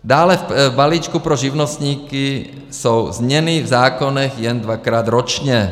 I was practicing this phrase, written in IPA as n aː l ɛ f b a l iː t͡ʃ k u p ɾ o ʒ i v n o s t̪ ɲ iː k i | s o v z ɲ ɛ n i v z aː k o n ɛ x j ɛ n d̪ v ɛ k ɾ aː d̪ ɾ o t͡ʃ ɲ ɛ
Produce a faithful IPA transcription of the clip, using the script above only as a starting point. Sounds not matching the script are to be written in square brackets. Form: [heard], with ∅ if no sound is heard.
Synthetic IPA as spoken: [d] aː l ɛ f b a l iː t͡ʃ k u p ɾ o ʒ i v n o s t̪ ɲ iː k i | s o [w] z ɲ ɛ n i v z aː k o n ɛ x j ɛ n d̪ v [a] k ɾ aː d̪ ɾ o t͡ʃ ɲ ɛ